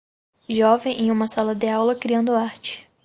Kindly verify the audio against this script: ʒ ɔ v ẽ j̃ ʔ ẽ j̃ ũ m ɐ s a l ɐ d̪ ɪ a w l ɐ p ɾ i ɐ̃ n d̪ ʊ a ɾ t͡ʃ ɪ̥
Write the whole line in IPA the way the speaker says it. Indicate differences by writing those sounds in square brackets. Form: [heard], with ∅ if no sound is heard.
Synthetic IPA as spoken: ʒ ɔ v ẽ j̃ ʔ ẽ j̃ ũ m ɐ s a l ɐ d̪ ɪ a w l ɐ [k] ɾ i ɐ̃ n d̪ ʊ a ɾ t͡ʃ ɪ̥